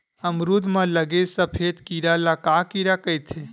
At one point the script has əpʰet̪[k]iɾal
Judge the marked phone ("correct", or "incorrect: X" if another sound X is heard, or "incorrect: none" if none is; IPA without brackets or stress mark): correct